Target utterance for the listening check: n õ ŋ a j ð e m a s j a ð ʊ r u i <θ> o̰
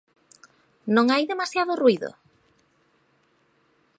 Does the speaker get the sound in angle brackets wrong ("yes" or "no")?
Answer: yes